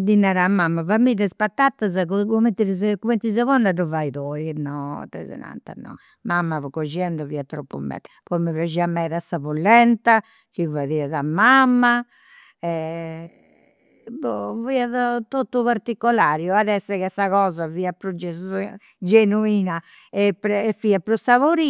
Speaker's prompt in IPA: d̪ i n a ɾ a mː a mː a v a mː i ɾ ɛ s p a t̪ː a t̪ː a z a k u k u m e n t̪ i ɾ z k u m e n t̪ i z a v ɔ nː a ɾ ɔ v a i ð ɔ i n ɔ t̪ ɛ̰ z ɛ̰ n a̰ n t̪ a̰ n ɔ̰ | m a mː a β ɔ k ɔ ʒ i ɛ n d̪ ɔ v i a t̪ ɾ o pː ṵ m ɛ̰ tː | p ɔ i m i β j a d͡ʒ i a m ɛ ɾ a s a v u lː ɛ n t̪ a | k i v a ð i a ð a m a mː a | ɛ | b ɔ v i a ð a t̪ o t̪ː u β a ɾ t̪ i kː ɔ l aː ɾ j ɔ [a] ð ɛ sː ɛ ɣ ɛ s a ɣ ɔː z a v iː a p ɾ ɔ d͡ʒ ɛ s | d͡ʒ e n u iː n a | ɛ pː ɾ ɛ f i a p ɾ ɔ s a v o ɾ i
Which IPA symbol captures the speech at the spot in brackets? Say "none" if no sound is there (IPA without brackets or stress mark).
a